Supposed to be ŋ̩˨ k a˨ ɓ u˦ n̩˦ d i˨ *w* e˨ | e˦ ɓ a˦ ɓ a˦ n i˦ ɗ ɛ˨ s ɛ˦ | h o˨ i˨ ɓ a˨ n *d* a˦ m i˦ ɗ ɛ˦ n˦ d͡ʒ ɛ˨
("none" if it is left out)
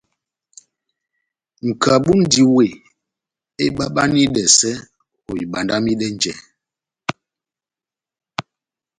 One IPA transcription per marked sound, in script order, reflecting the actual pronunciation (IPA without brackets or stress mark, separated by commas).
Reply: w, d